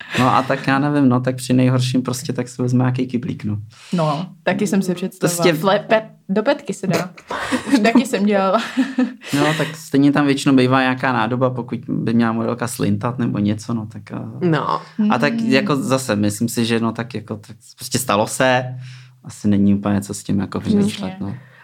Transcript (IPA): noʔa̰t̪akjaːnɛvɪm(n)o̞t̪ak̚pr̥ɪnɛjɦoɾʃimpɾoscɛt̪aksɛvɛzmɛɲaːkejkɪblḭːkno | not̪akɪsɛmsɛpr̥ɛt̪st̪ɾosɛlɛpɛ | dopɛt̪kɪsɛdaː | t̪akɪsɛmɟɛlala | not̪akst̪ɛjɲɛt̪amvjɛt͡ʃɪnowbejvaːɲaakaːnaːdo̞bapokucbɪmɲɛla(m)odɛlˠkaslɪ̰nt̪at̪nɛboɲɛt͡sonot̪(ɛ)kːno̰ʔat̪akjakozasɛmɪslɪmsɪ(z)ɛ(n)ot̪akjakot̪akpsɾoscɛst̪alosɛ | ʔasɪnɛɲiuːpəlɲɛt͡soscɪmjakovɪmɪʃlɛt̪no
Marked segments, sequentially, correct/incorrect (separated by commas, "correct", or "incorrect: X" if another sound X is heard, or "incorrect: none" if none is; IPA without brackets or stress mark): correct, correct, incorrect: a, incorrect: ʒ, correct